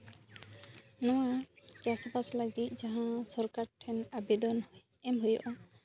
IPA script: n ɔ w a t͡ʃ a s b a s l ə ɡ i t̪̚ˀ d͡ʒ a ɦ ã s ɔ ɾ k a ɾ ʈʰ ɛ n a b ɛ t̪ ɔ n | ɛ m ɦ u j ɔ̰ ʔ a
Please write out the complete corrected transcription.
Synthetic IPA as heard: n ɔ w a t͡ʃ a s b a s l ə ɡ i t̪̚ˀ d͡ʒ a ɦ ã s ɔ ɾ k a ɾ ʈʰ ɛ n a b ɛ d̪ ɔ n | ɛ m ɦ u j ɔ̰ ʔ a